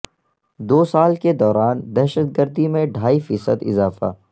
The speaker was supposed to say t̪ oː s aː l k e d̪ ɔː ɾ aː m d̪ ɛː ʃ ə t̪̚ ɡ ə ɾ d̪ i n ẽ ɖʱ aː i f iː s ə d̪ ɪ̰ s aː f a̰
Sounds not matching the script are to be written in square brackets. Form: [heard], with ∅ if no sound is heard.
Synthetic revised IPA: [d̪] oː s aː l k e d̪ ɔː ɾ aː [n] d̪ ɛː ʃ ə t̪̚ ɡ ə ɾ d̪ i [m] ẽ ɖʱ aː i f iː s ə d̪ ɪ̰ [z] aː f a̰